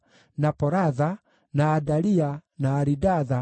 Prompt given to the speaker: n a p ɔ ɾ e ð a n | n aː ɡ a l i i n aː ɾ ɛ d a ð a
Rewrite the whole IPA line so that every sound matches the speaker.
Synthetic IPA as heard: n a p ɔ ɾ a ð a | n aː d a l i a n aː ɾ i d a ð a